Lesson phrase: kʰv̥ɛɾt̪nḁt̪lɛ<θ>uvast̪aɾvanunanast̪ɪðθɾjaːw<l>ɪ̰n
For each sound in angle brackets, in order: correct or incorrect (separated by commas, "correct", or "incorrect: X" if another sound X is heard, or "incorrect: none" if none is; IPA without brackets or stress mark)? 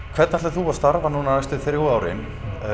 correct, incorrect: ɾ